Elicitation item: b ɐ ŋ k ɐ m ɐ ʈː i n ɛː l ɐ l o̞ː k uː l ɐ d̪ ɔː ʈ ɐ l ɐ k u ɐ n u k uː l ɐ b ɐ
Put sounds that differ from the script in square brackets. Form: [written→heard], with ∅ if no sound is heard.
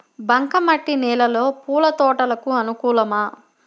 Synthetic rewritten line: b ɐ ŋ k ɐ m ɐ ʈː i n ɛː l ɐ l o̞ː [k→p] uː l ɐ [d̪→t̪] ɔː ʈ ɐ l ɐ k u ɐ n u k uː l ɐ [b→m] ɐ